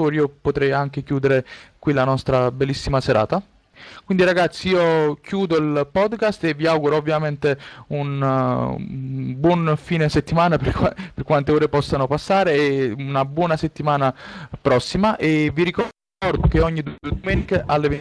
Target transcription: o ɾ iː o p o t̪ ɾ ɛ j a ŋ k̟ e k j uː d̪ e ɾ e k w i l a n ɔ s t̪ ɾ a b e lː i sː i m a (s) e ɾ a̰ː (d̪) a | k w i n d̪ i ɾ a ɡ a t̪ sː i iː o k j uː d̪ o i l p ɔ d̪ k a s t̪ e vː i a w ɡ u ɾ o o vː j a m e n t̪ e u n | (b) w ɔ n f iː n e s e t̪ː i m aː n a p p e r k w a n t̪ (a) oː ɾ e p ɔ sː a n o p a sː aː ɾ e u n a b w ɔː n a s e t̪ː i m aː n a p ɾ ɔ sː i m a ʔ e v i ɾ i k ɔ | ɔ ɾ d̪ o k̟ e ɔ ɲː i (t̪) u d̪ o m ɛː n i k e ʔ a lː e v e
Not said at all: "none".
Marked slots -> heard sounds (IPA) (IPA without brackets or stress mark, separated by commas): s, t̪, b, e, d̪